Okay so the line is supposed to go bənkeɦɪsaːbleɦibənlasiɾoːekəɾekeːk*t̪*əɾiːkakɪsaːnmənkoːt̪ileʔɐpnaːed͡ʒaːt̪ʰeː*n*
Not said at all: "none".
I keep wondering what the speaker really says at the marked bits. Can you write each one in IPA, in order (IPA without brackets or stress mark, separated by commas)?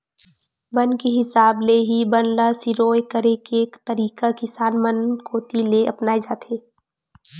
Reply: t̪, none